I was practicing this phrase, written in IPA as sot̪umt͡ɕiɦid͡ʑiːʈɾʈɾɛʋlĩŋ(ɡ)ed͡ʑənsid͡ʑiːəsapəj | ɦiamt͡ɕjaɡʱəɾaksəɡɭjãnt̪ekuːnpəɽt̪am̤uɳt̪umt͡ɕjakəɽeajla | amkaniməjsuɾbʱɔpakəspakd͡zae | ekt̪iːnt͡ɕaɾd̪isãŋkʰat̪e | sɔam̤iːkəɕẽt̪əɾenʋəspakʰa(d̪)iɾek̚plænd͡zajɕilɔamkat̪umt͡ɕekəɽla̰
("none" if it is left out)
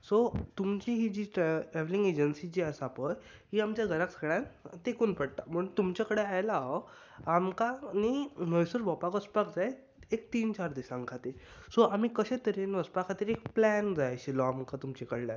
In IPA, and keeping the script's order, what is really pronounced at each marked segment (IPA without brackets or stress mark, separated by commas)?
ɡ, t̪